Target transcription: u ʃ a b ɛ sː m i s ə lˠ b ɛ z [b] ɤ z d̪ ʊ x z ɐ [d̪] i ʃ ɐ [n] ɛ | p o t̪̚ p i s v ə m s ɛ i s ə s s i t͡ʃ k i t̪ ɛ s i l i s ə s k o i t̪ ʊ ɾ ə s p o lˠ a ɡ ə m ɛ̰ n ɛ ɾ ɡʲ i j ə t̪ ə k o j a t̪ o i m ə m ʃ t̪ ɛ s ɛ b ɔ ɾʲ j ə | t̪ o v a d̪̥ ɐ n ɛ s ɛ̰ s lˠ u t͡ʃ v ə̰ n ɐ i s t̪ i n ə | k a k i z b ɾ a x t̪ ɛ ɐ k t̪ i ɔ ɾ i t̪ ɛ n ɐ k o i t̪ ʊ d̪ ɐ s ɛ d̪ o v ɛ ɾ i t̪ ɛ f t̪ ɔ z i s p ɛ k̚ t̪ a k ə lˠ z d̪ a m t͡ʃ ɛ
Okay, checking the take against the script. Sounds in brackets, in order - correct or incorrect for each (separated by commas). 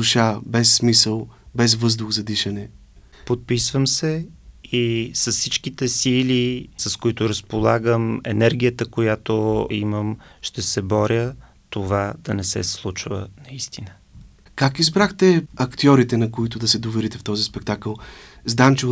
incorrect, correct, correct